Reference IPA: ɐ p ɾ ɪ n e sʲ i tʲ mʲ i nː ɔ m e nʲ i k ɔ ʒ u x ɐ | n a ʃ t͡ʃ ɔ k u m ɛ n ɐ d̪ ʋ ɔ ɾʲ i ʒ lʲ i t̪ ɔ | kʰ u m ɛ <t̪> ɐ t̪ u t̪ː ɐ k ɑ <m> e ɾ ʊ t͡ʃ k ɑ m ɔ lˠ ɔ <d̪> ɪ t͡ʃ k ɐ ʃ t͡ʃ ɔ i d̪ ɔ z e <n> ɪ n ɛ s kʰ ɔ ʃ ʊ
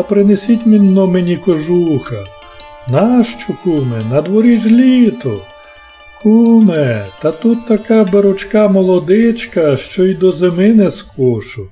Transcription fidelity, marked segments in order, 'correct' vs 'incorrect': correct, incorrect: b, correct, incorrect: m

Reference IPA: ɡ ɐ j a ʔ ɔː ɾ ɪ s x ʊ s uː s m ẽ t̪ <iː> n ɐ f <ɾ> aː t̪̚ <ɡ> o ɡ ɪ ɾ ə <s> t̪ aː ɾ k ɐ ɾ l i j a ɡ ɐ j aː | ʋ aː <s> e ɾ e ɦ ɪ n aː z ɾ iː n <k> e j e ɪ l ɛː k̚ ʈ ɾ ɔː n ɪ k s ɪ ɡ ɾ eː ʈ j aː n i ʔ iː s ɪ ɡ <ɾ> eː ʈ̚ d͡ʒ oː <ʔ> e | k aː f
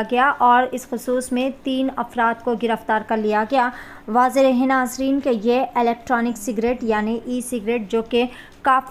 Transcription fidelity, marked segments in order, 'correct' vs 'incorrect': correct, correct, incorrect: k, incorrect: f, incorrect: z, correct, correct, incorrect: k

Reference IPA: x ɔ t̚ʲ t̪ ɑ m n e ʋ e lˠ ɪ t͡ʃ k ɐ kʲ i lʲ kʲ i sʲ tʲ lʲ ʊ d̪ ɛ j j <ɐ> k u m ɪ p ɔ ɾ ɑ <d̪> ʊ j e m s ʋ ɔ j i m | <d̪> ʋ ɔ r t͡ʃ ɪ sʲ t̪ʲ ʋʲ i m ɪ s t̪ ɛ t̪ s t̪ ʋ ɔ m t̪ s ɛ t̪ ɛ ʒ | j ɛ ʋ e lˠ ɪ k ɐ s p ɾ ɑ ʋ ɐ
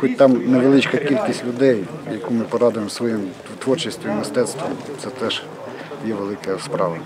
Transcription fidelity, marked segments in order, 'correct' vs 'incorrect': correct, correct, incorrect: t̪

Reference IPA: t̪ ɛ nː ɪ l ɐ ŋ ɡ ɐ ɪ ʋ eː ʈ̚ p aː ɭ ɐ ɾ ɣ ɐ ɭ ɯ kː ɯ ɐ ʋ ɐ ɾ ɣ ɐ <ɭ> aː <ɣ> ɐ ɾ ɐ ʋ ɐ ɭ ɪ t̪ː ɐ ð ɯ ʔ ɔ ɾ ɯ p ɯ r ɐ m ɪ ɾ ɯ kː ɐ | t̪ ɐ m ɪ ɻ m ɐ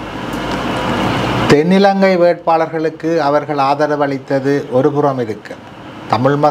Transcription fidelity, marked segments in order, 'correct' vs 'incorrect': correct, incorrect: ð

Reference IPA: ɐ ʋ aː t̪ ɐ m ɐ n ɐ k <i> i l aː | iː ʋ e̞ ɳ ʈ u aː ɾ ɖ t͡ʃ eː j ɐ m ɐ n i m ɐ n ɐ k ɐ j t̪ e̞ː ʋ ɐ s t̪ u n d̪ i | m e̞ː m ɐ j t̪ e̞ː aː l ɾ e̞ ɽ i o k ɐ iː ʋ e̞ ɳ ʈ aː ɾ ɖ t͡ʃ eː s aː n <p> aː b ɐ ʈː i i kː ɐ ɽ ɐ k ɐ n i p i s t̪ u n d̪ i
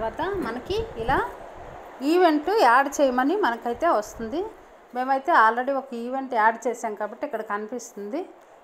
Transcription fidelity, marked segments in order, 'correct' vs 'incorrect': correct, incorrect: k

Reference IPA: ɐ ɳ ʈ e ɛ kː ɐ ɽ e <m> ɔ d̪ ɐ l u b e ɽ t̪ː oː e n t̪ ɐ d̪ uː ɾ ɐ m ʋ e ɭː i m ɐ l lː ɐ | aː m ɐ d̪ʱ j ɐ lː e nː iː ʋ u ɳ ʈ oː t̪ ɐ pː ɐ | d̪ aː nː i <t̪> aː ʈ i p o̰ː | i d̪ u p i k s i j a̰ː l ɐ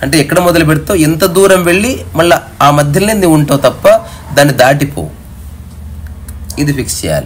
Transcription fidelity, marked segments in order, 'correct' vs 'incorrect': correct, incorrect: d̪

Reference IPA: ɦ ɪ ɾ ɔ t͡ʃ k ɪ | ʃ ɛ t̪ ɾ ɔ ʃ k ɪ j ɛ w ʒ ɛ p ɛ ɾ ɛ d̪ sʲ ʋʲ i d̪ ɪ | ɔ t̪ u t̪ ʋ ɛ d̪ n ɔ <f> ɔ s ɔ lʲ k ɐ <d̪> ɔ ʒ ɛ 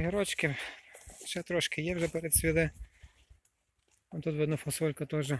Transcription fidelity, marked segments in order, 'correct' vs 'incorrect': correct, incorrect: t̪

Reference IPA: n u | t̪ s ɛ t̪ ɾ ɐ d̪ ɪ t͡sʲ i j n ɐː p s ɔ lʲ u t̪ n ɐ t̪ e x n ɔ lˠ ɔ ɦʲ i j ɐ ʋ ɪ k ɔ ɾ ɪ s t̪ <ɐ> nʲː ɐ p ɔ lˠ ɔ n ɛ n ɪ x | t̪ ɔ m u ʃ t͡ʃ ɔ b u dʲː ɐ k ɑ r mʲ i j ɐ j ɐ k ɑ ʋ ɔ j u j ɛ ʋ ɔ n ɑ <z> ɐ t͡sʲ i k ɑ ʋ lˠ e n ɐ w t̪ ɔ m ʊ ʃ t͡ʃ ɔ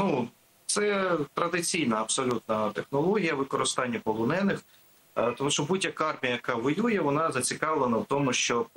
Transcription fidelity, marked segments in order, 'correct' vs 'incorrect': incorrect: ɑ, correct

